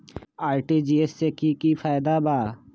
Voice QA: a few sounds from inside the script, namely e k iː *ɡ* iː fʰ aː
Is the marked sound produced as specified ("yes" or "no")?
no